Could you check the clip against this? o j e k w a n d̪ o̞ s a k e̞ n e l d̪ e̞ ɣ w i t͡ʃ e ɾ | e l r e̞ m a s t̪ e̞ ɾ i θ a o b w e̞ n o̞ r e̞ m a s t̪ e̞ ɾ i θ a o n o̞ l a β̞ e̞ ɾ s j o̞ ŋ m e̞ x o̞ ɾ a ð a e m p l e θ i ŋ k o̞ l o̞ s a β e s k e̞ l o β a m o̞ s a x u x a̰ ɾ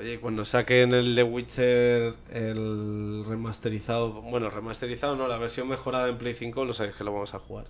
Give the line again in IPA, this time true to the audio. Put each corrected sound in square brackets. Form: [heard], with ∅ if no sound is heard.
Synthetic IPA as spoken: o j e k w a n d̪ o̞ s a k e̞ n e l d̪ e̞ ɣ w i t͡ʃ e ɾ | e l r e̞ m a s t̪ e̞ ɾ i θ a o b w e̞ n o̞ r e̞ m a s t̪ e̞ ɾ i θ a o n o̞ l a β̞ e̞ ɾ s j o̞ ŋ m e̞ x o̞ ɾ a ð a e m p l e θ i ŋ k o̞ l o̞ s a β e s k e̞ l o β a m o̞ s a x u [ɣ] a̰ ɾ

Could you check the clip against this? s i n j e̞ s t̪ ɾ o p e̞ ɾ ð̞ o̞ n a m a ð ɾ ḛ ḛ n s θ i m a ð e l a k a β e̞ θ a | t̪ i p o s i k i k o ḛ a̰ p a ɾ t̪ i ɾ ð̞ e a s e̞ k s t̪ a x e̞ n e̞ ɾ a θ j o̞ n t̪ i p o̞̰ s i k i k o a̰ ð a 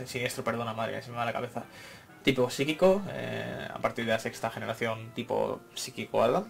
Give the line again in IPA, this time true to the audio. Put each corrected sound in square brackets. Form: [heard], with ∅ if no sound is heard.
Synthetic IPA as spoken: s i n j e̞ s t̪ ɾ o p e̞ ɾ ð̞ o̞ n a m a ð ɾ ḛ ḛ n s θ i m a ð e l a k a β e̞ θ a | t̪ i p o s i k i k o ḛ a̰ p a ɾ t̪ i ɾ ð̞ e a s e̞ k s t̪ a x e̞ n e̞ ɾ a θ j o̞ n t̪ i p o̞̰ s i k i k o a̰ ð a

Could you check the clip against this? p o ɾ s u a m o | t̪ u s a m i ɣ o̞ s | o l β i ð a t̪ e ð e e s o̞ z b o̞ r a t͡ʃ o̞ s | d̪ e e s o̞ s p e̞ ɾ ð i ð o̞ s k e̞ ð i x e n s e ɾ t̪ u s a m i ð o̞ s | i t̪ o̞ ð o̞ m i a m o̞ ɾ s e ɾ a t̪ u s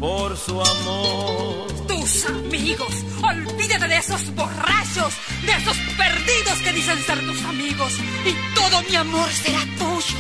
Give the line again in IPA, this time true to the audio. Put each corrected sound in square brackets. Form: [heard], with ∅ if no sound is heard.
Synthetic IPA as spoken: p o ɾ s u a m o | t̪ u s a m i ɣ o̞ s | o l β i ð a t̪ e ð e e s o̞ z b o̞ r a t͡ʃ o̞ s | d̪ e e s o̞ s p e̞ ɾ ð i ð o̞ s k e̞ ð i [s] e n s e ɾ t̪ u s a m i [ɣ] o̞ s | i t̪ o̞ ð o̞ m i a m o̞ ɾ s e ɾ a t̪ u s

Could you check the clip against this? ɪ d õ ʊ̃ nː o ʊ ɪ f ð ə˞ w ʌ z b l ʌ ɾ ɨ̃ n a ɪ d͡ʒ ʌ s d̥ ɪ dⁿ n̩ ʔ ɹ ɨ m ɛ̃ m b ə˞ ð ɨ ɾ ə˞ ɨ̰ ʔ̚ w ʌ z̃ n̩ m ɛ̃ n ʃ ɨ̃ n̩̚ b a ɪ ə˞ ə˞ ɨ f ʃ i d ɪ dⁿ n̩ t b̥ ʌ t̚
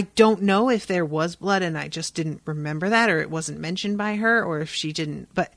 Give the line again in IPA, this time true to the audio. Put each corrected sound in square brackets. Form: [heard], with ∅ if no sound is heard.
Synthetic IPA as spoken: ɪ d õ ʊ̃ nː o ʊ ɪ f ð ə˞ w ʌ z b l ʌ ɾ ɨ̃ n a ɪ d͡ʒ ʌ s d̥ ɪ dⁿ n̩ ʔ ɹ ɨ m ɛ̃ m b ə˞ ð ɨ ɾ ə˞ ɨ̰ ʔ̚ w ʌ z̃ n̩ m ɛ̃ n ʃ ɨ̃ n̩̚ b a ɪ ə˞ ə˞ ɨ f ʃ i d ɪ dⁿ n̩ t b̥ ʌ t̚

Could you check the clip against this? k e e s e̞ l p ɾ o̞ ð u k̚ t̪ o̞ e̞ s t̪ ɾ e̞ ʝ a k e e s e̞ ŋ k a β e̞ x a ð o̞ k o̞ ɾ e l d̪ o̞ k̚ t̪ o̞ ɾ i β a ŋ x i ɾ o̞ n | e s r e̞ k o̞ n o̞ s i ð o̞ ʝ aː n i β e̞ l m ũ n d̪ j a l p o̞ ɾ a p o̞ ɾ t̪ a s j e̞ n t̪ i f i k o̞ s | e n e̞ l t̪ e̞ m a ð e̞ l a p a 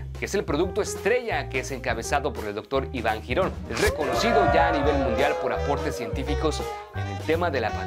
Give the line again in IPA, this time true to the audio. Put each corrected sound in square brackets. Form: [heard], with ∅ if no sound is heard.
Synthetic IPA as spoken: k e e s e̞ l p ɾ o̞ ð u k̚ t̪ o̞ e̞ s t̪ ɾ e̞ ʝ a k e e s e̞ ŋ k a β e̞ [s] a ð o̞ [p] o̞ ɾ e l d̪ o̞ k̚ t̪ o̞ ɾ i β a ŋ x i ɾ o̞ n | e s r e̞ k o̞ n o̞ s i ð o̞ ʝ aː n i β e̞ l m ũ n d̪ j a l p o̞ ɾ a p o̞ ɾ t̪ [e] s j e̞ n t̪ i f i k o̞ s | e n e̞ l t̪ e̞ m a ð e̞ l a p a

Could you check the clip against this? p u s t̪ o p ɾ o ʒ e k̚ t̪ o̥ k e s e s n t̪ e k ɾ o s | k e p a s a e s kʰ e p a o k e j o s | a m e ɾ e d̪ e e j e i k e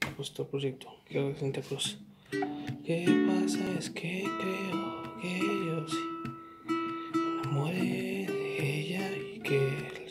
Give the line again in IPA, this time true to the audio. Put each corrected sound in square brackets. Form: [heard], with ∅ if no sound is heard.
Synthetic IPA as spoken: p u s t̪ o p ɾ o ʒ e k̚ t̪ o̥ k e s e [∅] n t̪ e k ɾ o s | k e p a s a e s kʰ e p [e] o k e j o s | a m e ɾ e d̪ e e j [a] i k e

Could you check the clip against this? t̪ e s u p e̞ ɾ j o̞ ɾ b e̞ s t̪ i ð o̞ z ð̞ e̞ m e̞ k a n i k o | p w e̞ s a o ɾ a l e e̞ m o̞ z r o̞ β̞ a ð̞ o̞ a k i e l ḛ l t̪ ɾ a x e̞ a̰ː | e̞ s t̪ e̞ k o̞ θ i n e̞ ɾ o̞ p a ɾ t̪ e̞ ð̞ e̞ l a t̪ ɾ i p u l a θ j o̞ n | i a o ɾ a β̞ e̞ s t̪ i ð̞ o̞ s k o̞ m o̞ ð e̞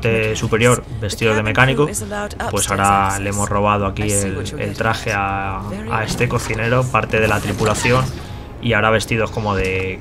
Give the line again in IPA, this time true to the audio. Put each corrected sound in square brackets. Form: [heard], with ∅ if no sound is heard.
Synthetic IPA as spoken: t̪ e s u p e̞ ɾ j o̞ ɾ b e̞ s t̪ i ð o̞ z ð̞ e̞ m e̞ k a n i k o | p w e̞ s a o ɾ a l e e̞ m o̞ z r o̞ β̞ a ð̞ o̞ a k i e l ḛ l t̪ ɾ a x e̞ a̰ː | e̞ s t̪ e̞ k o̞ θ i n e̞ ɾ o̞ p a ɾ t̪ e̞ ð̞ e̞ l a t̪ ɾ i p u l a θ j o̞ n | i a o ɾ a β̞ e̞ s t̪ i ð̞ o̞ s k o̞ m o̞ ð e̞

